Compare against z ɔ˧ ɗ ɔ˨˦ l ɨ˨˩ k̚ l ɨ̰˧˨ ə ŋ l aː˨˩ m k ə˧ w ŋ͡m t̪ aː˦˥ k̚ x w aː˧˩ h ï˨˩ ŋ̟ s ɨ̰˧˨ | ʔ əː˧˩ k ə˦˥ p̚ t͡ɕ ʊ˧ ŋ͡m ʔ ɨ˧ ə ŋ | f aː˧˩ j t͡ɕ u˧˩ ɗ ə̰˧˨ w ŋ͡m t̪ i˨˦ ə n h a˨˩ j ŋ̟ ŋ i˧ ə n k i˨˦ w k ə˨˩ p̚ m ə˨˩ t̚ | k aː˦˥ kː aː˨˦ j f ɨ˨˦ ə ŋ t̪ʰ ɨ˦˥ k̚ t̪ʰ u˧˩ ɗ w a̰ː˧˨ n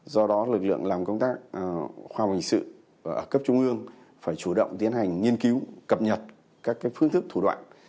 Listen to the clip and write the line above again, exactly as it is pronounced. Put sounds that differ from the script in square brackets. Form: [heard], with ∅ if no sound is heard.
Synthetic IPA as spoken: z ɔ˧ ɗ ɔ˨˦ l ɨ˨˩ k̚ l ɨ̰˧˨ ə ŋ l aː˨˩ m k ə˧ w ŋ͡m t̪ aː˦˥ k̚ x w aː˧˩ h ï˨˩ ŋ̟ s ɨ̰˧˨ | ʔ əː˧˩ k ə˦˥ p̚ t͡ɕ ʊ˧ ŋ͡m ʔ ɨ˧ ə ŋ | f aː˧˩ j t͡ɕ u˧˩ ɗ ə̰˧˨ w ŋ͡m t̪ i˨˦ ə n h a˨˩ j ŋ̟ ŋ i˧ ə n k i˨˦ w k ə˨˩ p̚ [ɲ] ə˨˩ t̚ | k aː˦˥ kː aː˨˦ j f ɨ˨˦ ə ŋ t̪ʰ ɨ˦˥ k̚ t̪ʰ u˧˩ ɗ w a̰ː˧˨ n